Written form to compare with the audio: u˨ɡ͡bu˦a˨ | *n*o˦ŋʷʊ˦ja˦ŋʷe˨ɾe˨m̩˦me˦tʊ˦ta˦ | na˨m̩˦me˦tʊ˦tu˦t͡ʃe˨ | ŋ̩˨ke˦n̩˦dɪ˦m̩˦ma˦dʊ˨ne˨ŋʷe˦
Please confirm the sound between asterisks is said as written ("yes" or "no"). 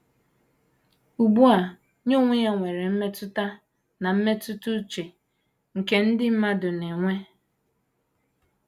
no